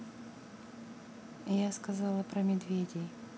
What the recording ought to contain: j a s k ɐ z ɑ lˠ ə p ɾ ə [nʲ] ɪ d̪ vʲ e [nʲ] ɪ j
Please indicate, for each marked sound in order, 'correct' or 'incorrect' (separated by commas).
incorrect, incorrect